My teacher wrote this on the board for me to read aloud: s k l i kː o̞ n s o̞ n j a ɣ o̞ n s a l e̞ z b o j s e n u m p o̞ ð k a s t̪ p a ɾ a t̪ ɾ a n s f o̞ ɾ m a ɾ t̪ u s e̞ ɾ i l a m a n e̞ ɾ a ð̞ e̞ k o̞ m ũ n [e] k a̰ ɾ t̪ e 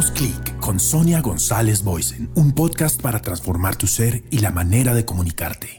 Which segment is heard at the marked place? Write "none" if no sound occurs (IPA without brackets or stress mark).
i